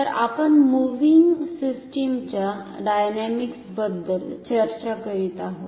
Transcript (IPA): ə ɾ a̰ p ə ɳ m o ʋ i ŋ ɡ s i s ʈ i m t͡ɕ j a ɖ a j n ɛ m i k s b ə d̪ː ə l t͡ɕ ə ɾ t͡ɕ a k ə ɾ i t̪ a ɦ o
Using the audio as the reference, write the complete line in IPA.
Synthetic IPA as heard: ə ɾ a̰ p ə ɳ m u ʋ i ŋ ɡ s i s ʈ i m t͡ɕ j a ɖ a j n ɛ m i k s b ə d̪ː ə l t͡ɕ ə ɾ t͡ɕ a k ə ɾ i t̪ a ɦ o